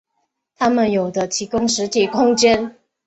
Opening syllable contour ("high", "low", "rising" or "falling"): high